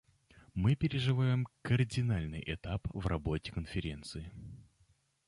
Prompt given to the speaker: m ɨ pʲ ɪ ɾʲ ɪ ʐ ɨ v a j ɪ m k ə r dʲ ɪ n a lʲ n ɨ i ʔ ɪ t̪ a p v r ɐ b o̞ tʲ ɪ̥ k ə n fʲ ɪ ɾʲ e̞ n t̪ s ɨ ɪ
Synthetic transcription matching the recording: m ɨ pʲ ɪ ɾʲ ɪ ʐ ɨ v a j ɪ m k ə r dʲ ɪ n a lʲ n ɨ j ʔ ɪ t̪ a p v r ɐ b o̞ tʲ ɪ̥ k ə n fʲ ɪ ɾʲ e̞ n t̪ s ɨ ɪ